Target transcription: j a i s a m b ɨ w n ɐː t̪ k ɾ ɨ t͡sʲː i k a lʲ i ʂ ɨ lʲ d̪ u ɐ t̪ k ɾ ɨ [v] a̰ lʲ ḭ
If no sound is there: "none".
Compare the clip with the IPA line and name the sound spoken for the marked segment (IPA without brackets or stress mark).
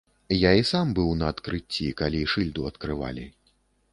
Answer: v